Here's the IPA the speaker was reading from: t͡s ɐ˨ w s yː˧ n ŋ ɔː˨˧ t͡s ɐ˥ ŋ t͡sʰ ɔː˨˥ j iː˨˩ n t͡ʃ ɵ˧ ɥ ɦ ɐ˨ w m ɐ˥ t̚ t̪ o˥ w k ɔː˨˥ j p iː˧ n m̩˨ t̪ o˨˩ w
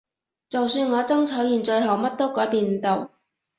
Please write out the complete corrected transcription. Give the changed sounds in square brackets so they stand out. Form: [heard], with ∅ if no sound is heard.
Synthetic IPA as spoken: t͡s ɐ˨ w s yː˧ n ŋ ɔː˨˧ t͡s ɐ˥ ŋ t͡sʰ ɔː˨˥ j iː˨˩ n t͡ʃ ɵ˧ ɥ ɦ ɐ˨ w m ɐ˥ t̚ t̪ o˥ w k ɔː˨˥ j p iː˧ n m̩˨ t̪ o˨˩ w

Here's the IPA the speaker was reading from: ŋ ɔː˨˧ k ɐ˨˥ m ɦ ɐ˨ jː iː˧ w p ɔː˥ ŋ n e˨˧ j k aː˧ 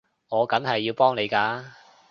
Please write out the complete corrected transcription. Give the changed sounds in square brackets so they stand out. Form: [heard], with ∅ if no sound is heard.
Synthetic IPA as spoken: ŋ ɔː˨˧ k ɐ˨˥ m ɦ ɐ˨ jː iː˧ w p ɔː˥ ŋ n e˨˧ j k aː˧

